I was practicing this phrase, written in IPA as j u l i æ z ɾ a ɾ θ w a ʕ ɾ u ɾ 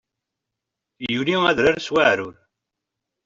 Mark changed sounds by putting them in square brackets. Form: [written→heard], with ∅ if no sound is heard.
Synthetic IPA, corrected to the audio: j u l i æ [z→ð] ɾ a ɾ [θ→s] w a ʕ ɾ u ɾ